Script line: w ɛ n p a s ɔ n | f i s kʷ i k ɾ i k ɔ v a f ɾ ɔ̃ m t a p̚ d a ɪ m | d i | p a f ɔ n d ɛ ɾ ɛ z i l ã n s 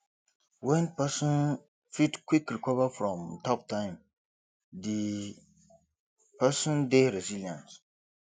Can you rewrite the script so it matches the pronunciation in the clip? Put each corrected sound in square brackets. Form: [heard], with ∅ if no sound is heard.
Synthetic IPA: w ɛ n p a s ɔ n | f i [t] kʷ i k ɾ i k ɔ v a f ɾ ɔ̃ m t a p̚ [t] a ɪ m | d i | p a [s] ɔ n d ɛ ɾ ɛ z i l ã n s